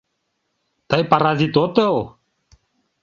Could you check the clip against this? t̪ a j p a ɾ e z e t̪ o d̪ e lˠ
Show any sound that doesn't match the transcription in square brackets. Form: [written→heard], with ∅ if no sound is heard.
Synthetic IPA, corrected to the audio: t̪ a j p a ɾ [e→a] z [e→i] t̪ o [d̪→t̪] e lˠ